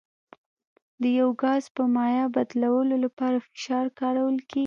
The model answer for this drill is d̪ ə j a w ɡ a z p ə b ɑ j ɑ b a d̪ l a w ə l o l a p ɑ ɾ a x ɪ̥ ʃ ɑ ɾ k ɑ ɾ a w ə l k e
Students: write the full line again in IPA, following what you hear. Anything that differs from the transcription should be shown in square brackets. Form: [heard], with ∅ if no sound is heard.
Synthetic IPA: d̪ ə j a w ɡ [ɑ] z p ə [m] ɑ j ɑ b a d̪ l a w ə l o l a p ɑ ɾ a [f] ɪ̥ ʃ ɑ ɾ k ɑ ɾ a w ə l k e

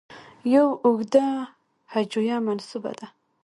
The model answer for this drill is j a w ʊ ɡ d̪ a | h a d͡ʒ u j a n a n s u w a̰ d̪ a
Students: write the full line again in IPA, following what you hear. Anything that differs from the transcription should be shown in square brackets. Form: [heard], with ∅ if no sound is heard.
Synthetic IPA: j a w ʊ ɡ d̪ a | h a d͡ʒ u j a [m] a n s u [b] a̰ d̪ a

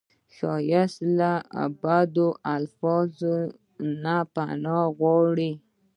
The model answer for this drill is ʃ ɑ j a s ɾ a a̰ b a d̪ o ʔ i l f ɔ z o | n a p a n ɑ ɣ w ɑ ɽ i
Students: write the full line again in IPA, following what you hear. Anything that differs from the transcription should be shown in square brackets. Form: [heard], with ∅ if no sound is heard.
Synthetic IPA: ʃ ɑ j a s [l] a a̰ b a d̪ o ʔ [a] l f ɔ z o | n a p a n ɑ ɣ w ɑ ɽ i

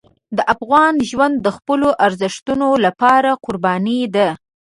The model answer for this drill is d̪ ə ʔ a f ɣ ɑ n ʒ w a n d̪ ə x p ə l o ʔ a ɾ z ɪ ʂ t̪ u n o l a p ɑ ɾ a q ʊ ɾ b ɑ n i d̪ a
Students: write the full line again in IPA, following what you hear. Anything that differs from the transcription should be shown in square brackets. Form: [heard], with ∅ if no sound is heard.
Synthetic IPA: d̪ ə ʔ a f ɣ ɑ n ʒ w a n [d̪ː] ə x p ə l o ʔ a ɾ z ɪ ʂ t̪ u n o l a p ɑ ɾ a q ʊ ɾ b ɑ n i d̪ a

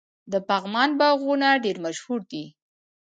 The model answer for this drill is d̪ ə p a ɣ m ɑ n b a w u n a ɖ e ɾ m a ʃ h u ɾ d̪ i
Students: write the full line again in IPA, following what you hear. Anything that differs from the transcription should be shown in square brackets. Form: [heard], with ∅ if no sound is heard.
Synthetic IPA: d̪ ə p a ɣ m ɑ n b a [ɣ] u n a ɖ e ɾ m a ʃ h u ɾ d̪ i

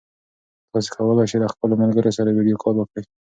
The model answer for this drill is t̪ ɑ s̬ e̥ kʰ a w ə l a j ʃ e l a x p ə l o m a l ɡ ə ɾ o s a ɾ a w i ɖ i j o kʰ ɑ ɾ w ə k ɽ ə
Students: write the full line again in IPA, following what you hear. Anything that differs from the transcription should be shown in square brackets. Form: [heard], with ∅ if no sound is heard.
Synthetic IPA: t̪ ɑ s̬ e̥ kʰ a w ə l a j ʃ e l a x p ə l o m a l ɡ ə ɾ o s a ɾ a w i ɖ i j o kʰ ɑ ɾ w ə k ɽ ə

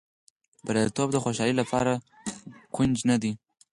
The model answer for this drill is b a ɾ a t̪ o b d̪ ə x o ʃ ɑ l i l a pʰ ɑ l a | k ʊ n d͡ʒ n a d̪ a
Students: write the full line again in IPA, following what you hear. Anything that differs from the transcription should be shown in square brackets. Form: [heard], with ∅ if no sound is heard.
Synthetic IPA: b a ɾ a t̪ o b d̪ ə x o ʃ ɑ l i l a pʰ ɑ [ɾ] a | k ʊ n d͡ʒ n a d̪ [i]

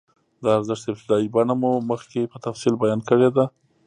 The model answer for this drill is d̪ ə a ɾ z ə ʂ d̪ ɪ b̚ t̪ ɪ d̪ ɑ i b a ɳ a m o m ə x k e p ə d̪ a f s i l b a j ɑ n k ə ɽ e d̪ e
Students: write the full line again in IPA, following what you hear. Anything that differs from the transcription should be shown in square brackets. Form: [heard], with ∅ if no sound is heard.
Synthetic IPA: d̪ ə a ɾ z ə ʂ [t̪] ɪ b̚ t̪ ɪ d̪ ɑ i b a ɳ a m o m ə x k e p ə [t̪] a f s i l b a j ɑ n k ə ɽ e d̪ [a]

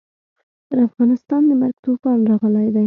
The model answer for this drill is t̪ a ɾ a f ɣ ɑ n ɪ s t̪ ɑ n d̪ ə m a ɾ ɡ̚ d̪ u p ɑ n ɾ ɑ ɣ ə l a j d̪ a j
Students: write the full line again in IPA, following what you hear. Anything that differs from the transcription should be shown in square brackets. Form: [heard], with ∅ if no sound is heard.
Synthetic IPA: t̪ [ə] ɾ a f ɣ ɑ n ɪ s t̪ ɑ n d̪ ə m a ɾ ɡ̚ [t̪] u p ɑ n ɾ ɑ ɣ ə l a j d̪ a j

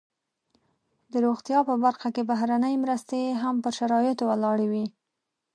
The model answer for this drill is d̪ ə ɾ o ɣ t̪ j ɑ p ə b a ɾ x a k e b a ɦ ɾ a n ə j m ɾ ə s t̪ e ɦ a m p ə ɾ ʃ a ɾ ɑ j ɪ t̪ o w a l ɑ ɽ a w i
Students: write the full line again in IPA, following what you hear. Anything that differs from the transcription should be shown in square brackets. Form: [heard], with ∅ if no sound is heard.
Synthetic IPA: d̪ ə ɾ o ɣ t̪ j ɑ p ə b a ɾ x a k e b a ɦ ɾ a n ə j m ɾ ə s t̪ e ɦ a m p ə ɾ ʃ a ɾ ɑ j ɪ t̪ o w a l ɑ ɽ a w i

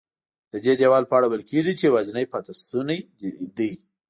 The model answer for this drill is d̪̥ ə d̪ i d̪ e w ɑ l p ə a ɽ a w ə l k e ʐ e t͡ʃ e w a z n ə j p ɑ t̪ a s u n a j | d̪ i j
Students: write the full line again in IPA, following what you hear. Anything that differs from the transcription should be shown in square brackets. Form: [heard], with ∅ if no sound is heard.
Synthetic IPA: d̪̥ ə d̪ [e] d̪ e w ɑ l p ə a ɽ a w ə l k e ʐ [i] t͡ʃ e w a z n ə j p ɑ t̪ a s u n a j | d̪ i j

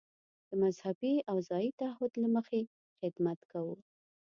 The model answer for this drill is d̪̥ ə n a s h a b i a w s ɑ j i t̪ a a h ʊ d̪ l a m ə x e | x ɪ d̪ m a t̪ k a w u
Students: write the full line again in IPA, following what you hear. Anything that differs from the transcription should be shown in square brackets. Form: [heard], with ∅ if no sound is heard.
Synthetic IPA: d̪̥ ə [m] a [z] h a b i a w [z] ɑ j i t̪ a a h ʊ d̪ l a m ə x e | x ɪ d̪ m a t̪ k a w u

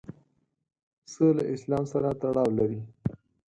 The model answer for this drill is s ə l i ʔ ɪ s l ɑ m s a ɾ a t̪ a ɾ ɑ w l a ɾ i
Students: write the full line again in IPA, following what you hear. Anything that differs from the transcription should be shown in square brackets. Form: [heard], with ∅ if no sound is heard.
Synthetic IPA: s ə l [a] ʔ ɪ s l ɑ m s a ɾ a t̪ a [ɽ] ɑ w l a ɾ i

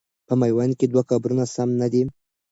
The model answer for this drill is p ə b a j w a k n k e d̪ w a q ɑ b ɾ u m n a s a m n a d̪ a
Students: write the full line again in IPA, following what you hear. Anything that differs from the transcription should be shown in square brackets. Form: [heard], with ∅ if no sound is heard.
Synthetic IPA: p ə [m] a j w a [∅] n k e d̪ w a [k] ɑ b ɾ u [∅] n a s a m n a d̪ [i]

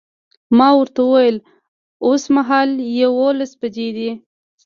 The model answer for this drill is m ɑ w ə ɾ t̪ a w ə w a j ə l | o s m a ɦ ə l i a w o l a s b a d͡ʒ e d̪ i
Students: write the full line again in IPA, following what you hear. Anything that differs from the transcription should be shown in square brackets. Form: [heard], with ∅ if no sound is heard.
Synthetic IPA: m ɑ w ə ɾ t̪ a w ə w a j ə l | o s m a ɦ [ɑ] l [j] a w o l a s b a d͡ʒ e d̪ i

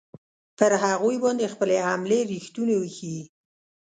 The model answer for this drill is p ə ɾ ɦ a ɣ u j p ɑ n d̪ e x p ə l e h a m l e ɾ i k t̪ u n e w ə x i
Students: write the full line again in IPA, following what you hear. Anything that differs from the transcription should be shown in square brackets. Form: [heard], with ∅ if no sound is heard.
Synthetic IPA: p ə ɾ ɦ a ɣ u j [b] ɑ n d̪ e x p ə l e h a m l e ɾ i [x] t̪ u n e w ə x i

